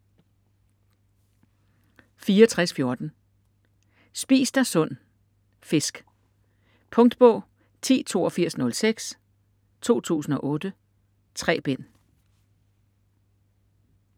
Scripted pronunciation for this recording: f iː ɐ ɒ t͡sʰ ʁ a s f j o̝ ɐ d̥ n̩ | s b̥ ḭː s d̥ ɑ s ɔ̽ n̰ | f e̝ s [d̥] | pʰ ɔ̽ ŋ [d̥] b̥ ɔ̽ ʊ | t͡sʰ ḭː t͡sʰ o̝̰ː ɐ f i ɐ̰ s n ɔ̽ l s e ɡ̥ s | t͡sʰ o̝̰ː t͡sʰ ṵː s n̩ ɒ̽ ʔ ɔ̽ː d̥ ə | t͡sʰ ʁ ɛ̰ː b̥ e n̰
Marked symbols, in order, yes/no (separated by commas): no, yes